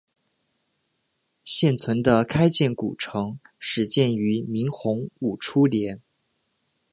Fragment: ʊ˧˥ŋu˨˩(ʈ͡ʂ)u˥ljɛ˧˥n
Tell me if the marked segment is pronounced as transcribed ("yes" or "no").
no